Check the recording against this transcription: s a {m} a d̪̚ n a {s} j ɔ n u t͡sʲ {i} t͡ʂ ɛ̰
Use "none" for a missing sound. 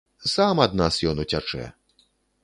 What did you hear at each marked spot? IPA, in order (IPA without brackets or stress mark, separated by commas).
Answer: m, s, a